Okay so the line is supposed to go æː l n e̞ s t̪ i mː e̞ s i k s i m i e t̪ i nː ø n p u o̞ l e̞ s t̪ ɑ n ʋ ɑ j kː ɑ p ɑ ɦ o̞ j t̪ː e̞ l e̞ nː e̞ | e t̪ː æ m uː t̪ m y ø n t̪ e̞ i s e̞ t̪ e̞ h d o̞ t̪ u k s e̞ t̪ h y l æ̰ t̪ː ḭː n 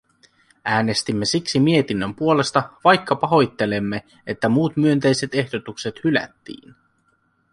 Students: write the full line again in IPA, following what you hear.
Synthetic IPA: æː n e̞ s t̪ i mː e̞ s i k s i m i e t̪ i nː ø m p u o̞ l e̞ s t̪ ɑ ʋ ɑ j kː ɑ p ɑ ɦ o̞ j t̪ː e̞ l e̞ mː e̞ | e t̪ː æ m uː t̪ m y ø n t̪ e̞ j s e̞ t̪ e̞ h d o̞ t̪ u k s e̞ t̪ h y l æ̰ t̪ː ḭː n